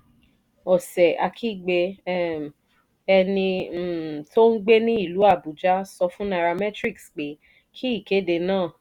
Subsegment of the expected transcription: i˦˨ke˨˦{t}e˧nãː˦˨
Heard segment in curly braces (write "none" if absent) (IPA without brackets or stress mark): d